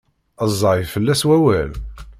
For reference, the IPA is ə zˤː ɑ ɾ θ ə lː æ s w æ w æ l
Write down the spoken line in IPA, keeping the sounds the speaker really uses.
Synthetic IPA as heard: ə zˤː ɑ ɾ f ə lː æ s w æ w æ l